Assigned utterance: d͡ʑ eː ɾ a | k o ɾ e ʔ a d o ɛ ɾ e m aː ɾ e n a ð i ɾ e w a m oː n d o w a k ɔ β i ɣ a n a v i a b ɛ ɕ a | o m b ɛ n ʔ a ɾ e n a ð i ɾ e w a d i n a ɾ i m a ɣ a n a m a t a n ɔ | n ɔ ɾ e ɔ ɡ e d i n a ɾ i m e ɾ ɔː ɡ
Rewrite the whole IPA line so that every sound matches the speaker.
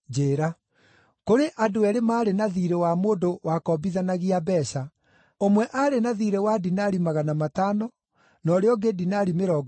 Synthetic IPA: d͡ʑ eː ɾ a | k o ɾ e ʔ a d o ɛ ɾ e m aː ɾ e n a ð i ɾ e w a m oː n d o w a k ɔ b i ð a n a ɣ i a b ɛ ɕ a | o m w ɛ ʔ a ɾ e n a ð i ɾ e w a d i n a ɾ i m a ɣ a n a m a t a n ɔ | n ɔ ɾ e ɔ ɡ e d i n a ɾ i m e ɾ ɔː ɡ